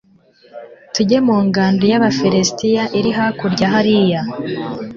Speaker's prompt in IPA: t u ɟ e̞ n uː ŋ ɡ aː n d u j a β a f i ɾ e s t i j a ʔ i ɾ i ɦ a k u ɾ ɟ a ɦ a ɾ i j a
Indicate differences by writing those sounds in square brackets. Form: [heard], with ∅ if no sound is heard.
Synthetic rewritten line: t u ɟ e̞ [m] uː ŋ ɡ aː n d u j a β a f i ɾ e s t i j a ʔ i ɾ i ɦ a k u ɾ ɟ a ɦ a ɾ i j a